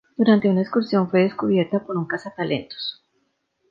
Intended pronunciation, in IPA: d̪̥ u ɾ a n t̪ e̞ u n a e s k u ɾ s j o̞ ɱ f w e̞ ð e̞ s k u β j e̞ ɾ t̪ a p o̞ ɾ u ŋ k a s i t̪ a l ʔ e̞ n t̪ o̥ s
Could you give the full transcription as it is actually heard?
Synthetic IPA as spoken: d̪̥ u ɾ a n t̪ e̞ u n a e s k u ɾ s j o̞ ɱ f w e̞ ð e̞ s k u β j e̞ ɾ t̪ a p o̞ ɾ u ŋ k a s a t̪ a l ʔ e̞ n t̪ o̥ s